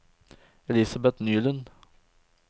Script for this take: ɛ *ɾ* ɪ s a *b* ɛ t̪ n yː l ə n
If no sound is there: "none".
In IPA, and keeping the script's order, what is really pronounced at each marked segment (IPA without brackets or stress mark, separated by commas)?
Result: l, b